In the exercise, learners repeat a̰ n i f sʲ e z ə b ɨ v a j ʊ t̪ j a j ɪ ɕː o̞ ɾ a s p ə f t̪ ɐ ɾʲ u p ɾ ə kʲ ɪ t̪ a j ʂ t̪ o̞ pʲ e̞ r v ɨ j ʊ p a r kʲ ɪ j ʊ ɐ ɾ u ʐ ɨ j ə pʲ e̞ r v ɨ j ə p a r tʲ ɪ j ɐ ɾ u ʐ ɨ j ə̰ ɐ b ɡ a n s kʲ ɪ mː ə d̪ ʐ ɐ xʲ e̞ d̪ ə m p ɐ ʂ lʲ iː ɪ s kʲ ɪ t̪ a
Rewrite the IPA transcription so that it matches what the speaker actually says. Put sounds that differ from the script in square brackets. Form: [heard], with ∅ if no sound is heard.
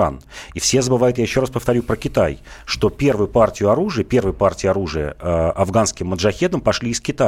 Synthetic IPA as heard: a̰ n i f sʲ e z ə b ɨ v a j ʊ t̪ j a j ɪ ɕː o̞ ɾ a s p ə f t̪ ɐ ɾʲ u p ɾ ə kʲ ɪ t̪ a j ʂ t̪ o̞ pʲ e̞ r v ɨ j ʊ p a r [tʲ] ɪ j ʊ ɐ ɾ u ʐ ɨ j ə pʲ e̞ r v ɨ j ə p a r tʲ ɪ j ɐ ɾ u ʐ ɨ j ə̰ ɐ [v] ɡ a n s kʲ ɪ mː ə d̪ ʐ ɐ xʲ e̞ d̪ ə m p ɐ ʂ lʲ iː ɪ s kʲ ɪ t̪ a